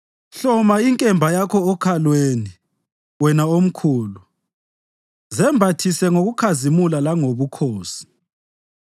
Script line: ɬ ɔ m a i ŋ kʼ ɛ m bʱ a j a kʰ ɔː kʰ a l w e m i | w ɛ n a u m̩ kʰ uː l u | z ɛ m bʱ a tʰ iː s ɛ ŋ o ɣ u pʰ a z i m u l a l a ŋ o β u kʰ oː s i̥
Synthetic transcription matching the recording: ɬ ɔ m a i ŋ kʼ ɛ m bʱ a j a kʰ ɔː kʰ a l w e n i | w ɛ n a o m̩ kʰ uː l u | z ɛ m bʱ a tʰ i s ɛ ŋ o ɣ u kʰ a z i m u l a l a ŋ o β u kʰ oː s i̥